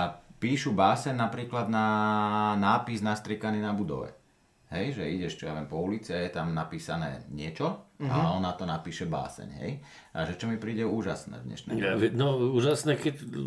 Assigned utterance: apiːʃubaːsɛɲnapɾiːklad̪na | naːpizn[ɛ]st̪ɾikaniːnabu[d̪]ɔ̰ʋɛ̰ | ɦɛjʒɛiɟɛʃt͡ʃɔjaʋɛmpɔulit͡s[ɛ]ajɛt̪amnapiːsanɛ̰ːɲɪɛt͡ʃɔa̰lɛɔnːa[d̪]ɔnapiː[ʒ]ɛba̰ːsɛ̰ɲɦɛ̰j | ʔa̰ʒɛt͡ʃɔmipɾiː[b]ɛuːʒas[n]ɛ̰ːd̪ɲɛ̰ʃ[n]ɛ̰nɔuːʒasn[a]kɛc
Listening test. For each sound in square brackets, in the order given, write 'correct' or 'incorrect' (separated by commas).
incorrect, correct, incorrect, incorrect, incorrect, incorrect, correct, correct, incorrect